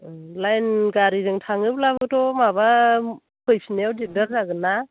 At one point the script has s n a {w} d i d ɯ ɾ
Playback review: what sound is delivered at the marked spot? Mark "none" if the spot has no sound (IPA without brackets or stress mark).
w